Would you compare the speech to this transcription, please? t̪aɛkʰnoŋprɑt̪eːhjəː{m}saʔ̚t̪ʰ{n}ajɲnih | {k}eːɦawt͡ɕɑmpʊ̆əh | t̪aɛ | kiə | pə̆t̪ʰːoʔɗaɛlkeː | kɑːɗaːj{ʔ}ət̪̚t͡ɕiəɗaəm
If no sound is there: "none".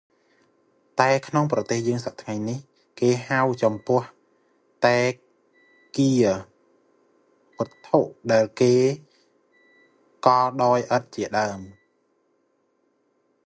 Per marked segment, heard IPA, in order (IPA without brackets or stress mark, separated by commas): ŋ, ŋ, k, ʔ